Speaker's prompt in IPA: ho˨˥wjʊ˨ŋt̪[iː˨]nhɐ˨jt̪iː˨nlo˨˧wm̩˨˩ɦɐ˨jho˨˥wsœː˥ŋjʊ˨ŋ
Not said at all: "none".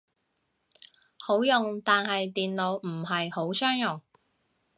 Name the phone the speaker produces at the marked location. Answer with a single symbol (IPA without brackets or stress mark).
aː˨